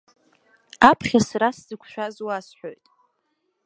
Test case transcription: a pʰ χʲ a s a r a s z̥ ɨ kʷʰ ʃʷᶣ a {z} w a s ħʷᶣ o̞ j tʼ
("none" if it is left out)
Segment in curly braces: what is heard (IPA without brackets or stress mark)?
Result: z